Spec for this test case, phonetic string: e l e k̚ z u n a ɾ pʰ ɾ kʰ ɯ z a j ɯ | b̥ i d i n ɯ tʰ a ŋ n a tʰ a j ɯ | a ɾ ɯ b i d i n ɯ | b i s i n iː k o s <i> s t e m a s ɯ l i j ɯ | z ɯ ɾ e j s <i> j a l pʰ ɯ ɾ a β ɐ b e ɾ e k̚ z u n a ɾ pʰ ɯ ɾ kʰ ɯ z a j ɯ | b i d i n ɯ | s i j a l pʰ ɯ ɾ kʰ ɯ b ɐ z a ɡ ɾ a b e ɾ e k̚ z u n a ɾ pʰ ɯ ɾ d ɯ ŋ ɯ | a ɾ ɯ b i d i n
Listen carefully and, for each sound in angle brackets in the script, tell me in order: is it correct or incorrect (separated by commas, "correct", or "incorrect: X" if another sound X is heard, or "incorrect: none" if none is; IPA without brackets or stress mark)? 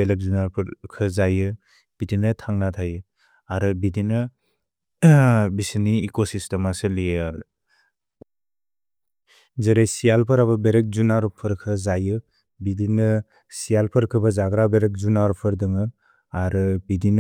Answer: correct, correct